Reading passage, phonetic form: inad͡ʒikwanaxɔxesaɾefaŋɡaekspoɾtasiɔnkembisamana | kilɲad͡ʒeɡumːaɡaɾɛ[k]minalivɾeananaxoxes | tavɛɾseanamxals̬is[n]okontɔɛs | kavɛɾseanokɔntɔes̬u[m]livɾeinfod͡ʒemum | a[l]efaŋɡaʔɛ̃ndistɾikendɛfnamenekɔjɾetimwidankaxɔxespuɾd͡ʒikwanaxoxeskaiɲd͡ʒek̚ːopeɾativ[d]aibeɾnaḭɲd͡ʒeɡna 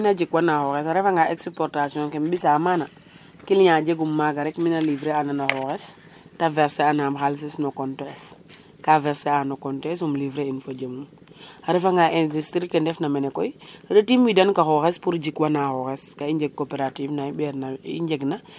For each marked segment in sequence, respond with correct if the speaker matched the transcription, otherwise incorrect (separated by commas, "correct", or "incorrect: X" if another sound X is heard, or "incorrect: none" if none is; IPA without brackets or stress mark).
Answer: correct, correct, correct, incorrect: ɾ, incorrect: n